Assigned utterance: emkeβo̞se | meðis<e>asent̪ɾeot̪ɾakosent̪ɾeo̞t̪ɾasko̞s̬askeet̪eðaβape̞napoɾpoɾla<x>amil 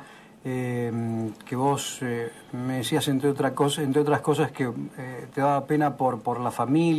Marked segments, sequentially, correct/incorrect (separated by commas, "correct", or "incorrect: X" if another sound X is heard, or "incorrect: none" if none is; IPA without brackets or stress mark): incorrect: i, incorrect: f